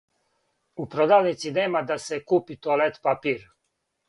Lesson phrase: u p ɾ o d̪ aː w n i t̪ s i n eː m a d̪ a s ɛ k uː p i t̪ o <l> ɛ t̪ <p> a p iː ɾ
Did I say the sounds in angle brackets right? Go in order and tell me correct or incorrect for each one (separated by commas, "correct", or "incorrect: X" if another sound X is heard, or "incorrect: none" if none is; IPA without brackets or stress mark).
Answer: correct, correct